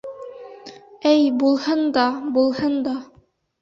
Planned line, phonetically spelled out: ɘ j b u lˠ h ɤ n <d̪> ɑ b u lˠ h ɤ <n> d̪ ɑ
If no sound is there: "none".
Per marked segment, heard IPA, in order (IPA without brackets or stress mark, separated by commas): d̪, n